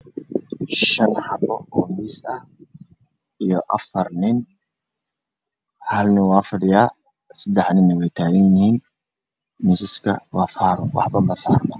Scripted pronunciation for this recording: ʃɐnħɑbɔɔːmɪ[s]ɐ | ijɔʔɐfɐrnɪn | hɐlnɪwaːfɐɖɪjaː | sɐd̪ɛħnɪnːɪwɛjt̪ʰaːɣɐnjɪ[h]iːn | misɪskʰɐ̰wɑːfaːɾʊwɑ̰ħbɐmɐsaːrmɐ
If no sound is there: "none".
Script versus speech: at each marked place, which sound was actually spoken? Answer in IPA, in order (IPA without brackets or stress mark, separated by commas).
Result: s, h